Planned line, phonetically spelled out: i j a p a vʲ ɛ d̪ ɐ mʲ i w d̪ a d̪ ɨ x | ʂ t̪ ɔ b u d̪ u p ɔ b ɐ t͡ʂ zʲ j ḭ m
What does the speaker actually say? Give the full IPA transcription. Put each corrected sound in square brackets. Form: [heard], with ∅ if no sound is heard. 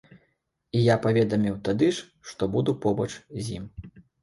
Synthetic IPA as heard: i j a p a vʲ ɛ d̪ ɐ mʲ i w [t̪] a d̪ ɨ [ʂ] | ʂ t̪ ɔ b u d̪ u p ɔ b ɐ t͡ʂ zʲ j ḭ m